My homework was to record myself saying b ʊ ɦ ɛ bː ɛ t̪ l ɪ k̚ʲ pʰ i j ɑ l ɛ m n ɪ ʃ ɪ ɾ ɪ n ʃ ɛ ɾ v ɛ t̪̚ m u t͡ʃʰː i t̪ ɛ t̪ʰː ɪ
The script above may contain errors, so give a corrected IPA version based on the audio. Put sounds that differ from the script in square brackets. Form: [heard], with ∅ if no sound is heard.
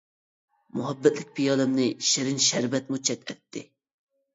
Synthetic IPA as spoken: [m] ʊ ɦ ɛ bː ɛ t̪ l ɪ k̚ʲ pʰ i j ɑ l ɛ m n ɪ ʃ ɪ ɾ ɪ n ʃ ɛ ɾ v ɛ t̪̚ m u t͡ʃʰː [ɛ] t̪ ɛ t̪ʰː ɪ

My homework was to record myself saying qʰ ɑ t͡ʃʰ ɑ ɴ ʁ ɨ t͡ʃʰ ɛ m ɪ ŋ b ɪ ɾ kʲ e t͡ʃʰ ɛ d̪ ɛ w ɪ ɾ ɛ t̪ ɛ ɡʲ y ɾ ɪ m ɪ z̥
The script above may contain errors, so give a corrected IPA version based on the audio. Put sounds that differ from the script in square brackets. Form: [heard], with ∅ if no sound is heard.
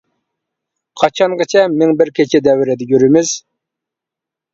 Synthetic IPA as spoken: qʰ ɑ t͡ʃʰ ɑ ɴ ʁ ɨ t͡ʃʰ ɛ m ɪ ŋ b ɪ ɾ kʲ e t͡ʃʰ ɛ d̪ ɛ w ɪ ɾ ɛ [d̪] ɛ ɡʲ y ɾ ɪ m ɪ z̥

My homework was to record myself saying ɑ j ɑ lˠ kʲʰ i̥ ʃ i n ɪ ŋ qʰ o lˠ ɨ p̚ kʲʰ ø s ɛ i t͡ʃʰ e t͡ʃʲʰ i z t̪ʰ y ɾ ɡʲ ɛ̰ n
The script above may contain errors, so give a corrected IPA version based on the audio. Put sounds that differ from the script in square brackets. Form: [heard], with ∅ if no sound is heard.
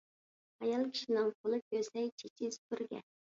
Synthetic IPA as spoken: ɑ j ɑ lˠ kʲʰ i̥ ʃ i n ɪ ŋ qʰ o lˠ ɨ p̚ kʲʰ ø s ɛ [j] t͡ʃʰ e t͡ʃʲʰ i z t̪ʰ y ɾ ɡʲ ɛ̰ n

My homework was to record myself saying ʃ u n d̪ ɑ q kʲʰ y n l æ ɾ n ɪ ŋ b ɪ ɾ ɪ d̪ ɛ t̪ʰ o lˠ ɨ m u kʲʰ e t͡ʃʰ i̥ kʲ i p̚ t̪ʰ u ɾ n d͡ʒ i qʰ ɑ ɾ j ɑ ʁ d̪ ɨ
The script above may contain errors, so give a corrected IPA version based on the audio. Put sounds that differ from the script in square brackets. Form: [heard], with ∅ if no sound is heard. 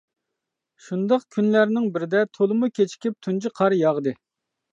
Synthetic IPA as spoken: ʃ u n d̪ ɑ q kʲʰ y n l æ ɾ n ɪ ŋ b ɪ ɾ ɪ d̪ ɛ t̪ʰ o lˠ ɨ m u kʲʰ e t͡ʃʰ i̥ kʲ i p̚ t̪ʰ u [∅] n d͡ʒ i qʰ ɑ ɾ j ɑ ʁ d̪ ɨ

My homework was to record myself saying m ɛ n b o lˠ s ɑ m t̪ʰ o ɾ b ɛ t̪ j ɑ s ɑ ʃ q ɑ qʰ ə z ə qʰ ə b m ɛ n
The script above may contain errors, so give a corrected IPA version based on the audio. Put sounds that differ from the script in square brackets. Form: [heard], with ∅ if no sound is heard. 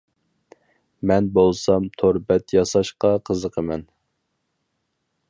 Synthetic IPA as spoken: m ɛ n b o lˠ s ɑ m t̪ʰ o ɾ b ɛ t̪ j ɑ s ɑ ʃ q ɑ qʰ ə z ə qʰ ə [∅] m ɛ n

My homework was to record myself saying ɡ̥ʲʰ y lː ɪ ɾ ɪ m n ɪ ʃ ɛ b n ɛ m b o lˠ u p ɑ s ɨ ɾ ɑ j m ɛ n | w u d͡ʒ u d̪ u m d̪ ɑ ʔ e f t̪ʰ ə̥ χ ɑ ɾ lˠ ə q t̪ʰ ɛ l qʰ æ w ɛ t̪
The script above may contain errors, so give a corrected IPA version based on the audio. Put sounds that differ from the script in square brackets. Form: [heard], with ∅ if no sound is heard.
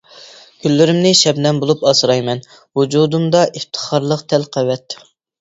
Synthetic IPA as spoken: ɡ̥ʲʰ y lː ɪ ɾ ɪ m n ɪ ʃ ɛ b n ɛ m b o lˠ u p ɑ s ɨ ɾ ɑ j m ɛ n | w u d͡ʒ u d̪ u m d̪ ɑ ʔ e f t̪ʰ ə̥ χ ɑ ɾ lˠ ə q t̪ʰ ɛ l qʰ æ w ɛ t̪

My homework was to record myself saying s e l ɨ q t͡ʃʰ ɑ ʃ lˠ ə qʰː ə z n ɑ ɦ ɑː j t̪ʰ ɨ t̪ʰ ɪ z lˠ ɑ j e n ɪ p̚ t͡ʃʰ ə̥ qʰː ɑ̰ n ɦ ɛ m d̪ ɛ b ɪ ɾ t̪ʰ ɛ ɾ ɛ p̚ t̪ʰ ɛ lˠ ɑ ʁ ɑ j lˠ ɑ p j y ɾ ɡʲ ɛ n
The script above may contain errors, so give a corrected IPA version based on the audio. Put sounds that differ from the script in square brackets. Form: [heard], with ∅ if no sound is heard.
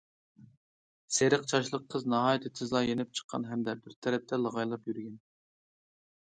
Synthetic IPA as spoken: s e [ɾ] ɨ q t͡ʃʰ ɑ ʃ lˠ ə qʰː ə z n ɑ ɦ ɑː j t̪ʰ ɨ t̪ʰ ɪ z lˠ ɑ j e n ɪ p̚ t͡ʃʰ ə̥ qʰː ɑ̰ n ɦ ɛ m d̪ ɛ b ɪ ɾ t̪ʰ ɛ ɾ ɛ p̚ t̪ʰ ɛ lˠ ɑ ʁ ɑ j lˠ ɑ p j y ɾ ɡʲ ɛ n

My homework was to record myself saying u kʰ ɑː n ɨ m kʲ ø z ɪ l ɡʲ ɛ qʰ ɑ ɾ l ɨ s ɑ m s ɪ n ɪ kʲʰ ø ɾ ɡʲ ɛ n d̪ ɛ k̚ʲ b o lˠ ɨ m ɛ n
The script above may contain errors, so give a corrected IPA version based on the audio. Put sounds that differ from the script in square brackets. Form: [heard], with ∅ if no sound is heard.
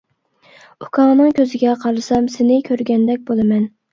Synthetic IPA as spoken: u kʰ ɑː n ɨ [ŋ] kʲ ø z ɪ [∅] ɡʲ ɛ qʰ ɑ ɾ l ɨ s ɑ m s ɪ n ɪ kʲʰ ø ɾ ɡʲ ɛ n d̪ ɛ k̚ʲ b o lˠ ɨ m ɛ n

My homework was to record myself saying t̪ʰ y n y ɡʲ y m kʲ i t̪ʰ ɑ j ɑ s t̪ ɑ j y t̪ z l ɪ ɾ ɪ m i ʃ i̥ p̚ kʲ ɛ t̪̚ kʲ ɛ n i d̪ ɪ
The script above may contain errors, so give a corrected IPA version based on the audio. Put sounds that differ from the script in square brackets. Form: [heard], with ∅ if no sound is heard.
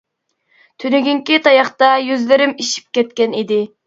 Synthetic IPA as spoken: t̪ʰ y n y ɡʲ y [ŋ] kʲ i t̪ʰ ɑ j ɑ [χ] t̪ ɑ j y [∅] z l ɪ ɾ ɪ m i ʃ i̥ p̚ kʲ ɛ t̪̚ kʲ ɛ n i d̪ ɪ

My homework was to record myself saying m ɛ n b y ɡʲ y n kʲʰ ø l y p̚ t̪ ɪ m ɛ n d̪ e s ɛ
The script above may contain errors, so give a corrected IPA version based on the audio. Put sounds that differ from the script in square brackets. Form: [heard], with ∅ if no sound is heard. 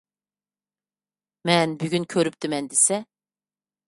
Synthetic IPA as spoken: m ɛ n b y ɡʲ y n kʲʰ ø [ɾ] y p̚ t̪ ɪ m ɛ n d̪ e s ɛ

